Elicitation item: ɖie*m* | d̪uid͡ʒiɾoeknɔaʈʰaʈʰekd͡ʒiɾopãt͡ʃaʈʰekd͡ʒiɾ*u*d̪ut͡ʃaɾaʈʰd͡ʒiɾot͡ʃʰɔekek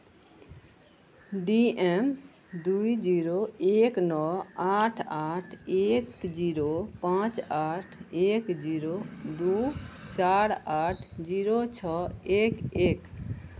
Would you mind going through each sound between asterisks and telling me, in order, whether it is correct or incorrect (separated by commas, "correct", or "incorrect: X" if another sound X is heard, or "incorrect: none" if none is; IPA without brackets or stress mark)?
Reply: correct, incorrect: o